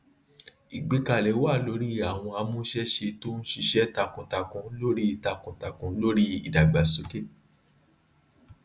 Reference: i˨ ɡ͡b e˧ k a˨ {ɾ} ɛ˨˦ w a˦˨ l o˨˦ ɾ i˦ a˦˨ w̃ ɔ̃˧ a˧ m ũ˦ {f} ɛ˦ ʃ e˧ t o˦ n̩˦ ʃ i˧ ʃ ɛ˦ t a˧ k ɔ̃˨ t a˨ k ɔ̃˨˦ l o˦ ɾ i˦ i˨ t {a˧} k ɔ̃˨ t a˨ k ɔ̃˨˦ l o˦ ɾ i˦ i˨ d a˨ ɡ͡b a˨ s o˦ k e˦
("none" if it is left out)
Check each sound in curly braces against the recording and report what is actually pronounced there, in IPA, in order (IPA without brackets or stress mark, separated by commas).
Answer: l, ʃ, a˧